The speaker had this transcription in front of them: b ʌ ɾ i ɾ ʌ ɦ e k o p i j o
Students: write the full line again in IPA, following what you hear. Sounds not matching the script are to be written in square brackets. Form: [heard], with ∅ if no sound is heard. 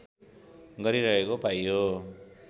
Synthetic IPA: [ɡ] ʌ ɾ i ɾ ʌ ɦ e k o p [a] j o